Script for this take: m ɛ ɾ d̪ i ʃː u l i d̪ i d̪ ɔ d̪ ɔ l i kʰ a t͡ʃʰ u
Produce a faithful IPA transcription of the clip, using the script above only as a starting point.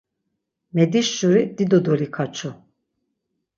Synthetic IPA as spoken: m ɛ d̪ i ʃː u ɾ i d̪ i d̪ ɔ d̪ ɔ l i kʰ a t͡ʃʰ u